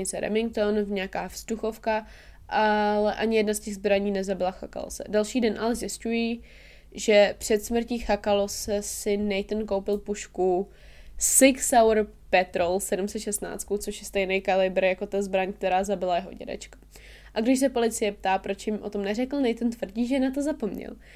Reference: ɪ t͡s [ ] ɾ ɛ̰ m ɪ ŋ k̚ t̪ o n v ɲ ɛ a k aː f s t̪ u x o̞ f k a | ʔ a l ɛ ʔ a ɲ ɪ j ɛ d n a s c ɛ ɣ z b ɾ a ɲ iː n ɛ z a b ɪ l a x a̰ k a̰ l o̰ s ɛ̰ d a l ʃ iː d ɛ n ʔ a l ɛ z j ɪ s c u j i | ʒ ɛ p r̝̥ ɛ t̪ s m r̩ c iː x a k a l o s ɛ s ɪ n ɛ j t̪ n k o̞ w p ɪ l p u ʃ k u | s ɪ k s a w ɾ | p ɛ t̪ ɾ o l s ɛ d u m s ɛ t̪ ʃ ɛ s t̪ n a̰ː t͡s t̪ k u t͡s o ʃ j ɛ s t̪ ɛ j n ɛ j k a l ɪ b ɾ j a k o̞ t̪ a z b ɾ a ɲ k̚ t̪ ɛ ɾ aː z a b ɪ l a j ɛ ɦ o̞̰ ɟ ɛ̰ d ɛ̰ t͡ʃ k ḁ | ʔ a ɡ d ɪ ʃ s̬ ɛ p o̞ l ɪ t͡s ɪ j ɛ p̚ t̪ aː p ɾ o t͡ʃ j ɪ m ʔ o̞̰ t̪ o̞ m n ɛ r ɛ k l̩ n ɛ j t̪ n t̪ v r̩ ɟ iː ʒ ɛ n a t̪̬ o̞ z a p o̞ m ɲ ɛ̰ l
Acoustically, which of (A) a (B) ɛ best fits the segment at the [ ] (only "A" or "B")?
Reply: B